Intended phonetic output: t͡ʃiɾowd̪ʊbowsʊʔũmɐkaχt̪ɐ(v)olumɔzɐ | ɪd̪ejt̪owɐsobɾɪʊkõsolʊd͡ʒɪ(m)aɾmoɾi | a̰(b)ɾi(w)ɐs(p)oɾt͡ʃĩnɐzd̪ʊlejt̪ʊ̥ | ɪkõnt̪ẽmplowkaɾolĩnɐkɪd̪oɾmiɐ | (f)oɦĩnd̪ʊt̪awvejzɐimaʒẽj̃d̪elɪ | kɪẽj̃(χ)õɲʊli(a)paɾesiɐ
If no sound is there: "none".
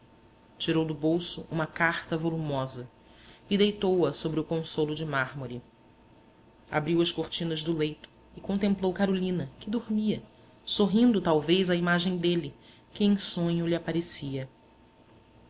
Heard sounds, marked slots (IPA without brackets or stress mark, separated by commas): v, m, b, w, k, s, s, a